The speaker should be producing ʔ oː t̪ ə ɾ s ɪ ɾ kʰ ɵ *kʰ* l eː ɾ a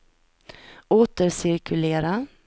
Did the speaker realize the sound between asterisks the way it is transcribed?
no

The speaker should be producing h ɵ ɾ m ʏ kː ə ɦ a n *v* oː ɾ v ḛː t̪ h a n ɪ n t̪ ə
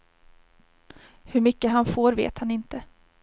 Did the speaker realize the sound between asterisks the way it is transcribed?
no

